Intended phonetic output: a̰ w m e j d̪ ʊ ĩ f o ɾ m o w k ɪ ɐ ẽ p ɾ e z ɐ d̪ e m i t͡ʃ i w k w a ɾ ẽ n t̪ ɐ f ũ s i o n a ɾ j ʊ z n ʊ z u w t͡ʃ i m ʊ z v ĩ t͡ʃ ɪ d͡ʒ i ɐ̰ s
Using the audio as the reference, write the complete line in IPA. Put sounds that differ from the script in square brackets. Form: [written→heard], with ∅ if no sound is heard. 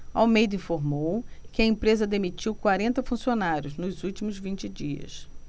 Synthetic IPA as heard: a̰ w m e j d̪ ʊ ĩ f o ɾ m o w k ɪ ɐ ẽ p ɾ e z ɐ d̪ e m i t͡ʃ i w k w a ɾ ẽ n t̪ ɐ f ũ s i o n a ɾ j ʊ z n ʊ z u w t͡ʃ i m ʊ z v ĩ t͡ʃ ɪ d͡ʒ i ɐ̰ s

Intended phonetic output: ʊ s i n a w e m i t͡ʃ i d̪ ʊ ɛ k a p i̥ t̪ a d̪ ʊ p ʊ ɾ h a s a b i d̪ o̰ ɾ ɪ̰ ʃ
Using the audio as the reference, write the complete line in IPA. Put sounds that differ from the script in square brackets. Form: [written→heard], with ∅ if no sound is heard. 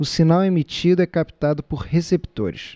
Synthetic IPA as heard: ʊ s i n a w e m i t͡ʃ i d̪ ʊ ɛ k a p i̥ t̪ a d̪ ʊ p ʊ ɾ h [a→e] s [a→e] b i [d̪→t̪] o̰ ɾ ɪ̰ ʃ

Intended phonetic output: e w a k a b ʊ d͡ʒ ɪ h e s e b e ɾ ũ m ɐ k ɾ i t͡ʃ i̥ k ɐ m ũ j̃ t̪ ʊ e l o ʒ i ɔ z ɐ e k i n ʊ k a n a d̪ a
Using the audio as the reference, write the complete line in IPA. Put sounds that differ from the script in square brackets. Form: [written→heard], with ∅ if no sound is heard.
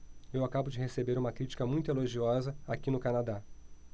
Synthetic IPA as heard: e w a k a b ʊ d͡ʒ ɪ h e s e b e ɾ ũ m ɐ k ɾ i t͡ʃ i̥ k ɐ m ũ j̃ t̪ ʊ e l o ʒ i ɔ z ɐ [e→a] k i n ʊ k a n a d̪ a

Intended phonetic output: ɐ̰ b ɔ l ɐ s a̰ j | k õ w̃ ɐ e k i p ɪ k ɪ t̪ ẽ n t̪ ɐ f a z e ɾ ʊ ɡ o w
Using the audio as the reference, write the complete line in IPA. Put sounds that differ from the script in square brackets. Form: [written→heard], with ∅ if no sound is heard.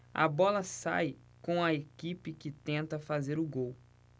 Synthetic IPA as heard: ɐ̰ b ɔ l ɐ s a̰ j | k õ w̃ ɐ e k i p ɪ k ɪ t̪ ẽ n t̪ ɐ f a z e ɾ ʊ ɡ o w

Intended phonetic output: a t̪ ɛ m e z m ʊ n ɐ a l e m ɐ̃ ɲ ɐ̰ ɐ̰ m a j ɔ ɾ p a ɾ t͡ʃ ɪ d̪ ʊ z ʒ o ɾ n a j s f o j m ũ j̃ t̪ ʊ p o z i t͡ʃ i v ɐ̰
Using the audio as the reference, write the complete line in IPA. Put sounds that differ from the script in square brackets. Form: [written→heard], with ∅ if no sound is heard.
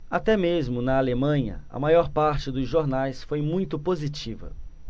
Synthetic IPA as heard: a t̪ ɛ m e z m ʊ n ɐ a l e m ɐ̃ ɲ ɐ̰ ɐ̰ m a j ɔ ɾ p a ɾ t͡ʃ ɪ d̪ ʊ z ʒ o ɾ n a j s f o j m ũ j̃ t̪ ʊ p o z i t͡ʃ i v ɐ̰

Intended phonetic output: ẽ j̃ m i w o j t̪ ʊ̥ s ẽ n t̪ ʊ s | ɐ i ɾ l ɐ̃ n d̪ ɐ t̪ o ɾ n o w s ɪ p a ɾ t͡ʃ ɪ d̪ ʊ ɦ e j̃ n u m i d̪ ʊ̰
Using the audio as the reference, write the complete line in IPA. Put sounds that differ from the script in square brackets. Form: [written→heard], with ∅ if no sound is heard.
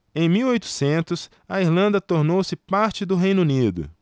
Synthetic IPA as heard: ẽ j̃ m i w o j t̪ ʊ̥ s ẽ n t̪ ʊ s | ɐ i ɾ l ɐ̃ n d̪ ɐ t̪ o ɾ n o w s ɪ p a ɾ t͡ʃ ɪ d̪ ʊ ɦ e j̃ n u [m→n] i d̪ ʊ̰

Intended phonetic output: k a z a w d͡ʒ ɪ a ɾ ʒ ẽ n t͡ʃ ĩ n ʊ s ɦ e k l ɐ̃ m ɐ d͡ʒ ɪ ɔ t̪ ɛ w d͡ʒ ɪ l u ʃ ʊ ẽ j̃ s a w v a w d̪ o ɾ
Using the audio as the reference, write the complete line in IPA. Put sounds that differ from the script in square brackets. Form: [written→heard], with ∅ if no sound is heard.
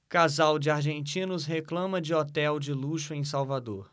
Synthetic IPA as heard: k a z a w d͡ʒ ɪ a ɾ ʒ ẽ n t͡ʃ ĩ n ʊ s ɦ e k l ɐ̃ m ɐ d͡ʒ ɪ ɔ t̪ ɛ w d͡ʒ ɪ l u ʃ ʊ ẽ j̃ s a w v a [w→∅] d̪ o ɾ

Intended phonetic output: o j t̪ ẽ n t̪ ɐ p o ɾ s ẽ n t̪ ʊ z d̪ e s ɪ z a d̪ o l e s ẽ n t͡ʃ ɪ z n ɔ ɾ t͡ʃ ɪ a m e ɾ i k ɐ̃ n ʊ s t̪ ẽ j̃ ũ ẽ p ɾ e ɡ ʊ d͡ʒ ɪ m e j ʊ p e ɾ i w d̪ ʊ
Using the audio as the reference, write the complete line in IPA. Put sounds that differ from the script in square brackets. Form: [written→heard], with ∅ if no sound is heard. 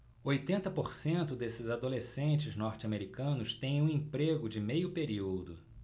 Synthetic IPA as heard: o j t̪ ẽ n t̪ ɐ p o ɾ s ẽ n t̪ ʊ [z→∅] d̪ e s ɪ z a d̪ o l e s ẽ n t͡ʃ ɪ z n ɔ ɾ t͡ʃ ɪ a m e ɾ i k ɐ̃ n ʊ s t̪ ẽ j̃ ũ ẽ p ɾ e ɡ ʊ d͡ʒ ɪ m e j ʊ p e ɾ i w d̪ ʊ

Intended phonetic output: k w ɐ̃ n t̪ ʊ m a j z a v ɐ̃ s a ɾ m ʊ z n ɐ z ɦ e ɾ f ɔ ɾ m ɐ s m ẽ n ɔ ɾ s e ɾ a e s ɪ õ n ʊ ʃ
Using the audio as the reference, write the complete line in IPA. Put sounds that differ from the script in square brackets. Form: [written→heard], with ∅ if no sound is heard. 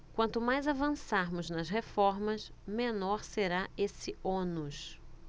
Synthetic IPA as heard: k w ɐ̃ n t̪ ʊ m a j z a v ɐ̃ s a ɾ m ʊ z n ɐ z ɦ e [ɾ→∅] f ɔ ɾ m ɐ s m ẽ n ɔ ɾ s e ɾ a e s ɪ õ n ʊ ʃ

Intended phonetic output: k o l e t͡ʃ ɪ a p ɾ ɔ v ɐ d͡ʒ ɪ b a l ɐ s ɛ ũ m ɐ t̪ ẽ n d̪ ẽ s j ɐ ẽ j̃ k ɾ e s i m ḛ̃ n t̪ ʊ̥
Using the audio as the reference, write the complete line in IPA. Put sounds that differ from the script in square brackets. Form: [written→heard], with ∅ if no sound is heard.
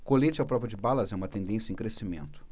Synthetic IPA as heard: k o l e t͡ʃ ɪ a p ɾ ɔ v ɐ d͡ʒ ɪ b a l ɐ [s→z] ɛ ũ m ɐ t̪ ẽ n d̪ ẽ s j ɐ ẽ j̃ k ɾ e s i m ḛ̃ n t̪ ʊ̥

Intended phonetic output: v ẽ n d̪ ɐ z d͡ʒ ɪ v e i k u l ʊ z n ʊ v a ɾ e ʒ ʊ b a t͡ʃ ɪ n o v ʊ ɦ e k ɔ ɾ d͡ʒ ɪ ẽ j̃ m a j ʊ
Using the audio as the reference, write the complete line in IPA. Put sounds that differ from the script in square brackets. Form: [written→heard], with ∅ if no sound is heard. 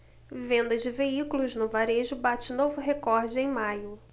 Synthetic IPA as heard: v ẽ n d̪ ɐ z d͡ʒ ɪ v e i k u l ʊ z n ʊ v a ɾ e ʒ ʊ b a t͡ʃ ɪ n o v ʊ ɦ e k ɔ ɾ d͡ʒ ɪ ẽ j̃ m a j ʊ

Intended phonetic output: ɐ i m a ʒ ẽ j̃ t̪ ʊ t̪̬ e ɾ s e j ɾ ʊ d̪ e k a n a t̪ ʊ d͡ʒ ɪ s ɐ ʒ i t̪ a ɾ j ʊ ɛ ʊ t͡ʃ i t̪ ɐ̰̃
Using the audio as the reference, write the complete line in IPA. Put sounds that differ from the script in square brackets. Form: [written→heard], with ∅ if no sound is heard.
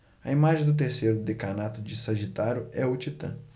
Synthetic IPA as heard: ɐ i m a ʒ ẽ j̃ [t̪→d̪] ʊ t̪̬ e ɾ s e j ɾ ʊ d̪ e k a n a t̪ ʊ d͡ʒ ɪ s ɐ ʒ i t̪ a ɾ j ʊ ɛ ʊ t͡ʃ i t̪ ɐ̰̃

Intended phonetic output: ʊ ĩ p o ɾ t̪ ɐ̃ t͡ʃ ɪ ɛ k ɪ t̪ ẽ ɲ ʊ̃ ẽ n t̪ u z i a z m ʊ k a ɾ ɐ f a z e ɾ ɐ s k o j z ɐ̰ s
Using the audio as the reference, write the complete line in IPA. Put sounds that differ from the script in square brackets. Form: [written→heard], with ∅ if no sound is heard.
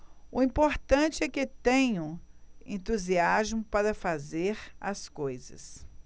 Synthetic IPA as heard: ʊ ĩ p o ɾ t̪ ɐ̃ t͡ʃ ɪ ɛ k ɪ t̪ ẽ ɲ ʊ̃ ẽ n t̪ u z i a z m ʊ [k→p] a ɾ ɐ f a z e ɾ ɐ s k o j z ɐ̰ s

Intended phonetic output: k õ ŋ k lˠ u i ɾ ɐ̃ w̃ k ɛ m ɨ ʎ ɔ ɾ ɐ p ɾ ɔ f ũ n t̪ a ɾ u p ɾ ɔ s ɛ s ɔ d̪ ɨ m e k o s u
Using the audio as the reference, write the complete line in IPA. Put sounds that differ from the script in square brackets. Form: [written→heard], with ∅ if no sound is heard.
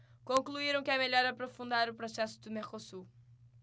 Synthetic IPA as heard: k õ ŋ k lˠ u i ɾ ɐ̃ w̃ k ɛ m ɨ ʎ ɔ ɾ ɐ p ɾ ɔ f ũ n [t̪→d̪] a ɾ u p ɾ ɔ s ɛ s [ɔ→u] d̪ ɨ m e k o s u

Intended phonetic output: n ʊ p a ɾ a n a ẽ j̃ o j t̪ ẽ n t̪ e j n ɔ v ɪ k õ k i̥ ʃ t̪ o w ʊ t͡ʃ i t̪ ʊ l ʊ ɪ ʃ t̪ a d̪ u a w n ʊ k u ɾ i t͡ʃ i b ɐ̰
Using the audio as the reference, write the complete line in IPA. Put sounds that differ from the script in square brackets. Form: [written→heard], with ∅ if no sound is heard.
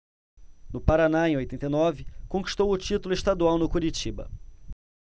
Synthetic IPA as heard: n ʊ p a ɾ a n a ẽ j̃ o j t̪ ẽ n t̪ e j n ɔ v ɪ k õ k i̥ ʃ t̪ o w ʊ t͡ʃ i t̪ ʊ l ʊ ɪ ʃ t̪ a d̪ u a w n ʊ k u ɾ i t͡ʃ i b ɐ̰

